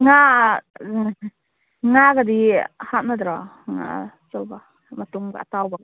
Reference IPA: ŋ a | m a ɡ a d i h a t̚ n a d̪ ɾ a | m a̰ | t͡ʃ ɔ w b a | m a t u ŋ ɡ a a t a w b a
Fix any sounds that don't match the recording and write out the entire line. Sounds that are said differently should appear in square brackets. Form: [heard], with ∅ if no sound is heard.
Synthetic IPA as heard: ŋ a | [ŋ] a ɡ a d i h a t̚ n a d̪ ɾ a | [ŋ] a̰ | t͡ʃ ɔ w b a | m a t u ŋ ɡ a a t a w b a